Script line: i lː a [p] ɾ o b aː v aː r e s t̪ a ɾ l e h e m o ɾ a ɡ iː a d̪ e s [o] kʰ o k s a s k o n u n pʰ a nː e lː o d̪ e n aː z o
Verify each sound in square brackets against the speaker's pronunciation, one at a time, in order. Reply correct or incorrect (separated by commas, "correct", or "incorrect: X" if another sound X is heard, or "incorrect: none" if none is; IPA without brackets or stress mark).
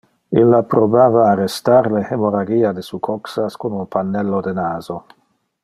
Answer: correct, incorrect: u